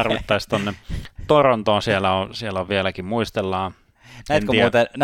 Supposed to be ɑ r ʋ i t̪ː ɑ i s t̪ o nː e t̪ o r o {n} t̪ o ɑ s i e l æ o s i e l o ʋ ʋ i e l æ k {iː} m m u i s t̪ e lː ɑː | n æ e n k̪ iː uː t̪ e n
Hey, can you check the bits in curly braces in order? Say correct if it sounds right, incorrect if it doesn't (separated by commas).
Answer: correct, incorrect